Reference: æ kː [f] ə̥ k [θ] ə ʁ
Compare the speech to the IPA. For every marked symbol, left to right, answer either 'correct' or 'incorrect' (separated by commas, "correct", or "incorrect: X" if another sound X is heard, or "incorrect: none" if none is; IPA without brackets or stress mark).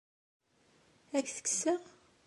incorrect: θ, incorrect: s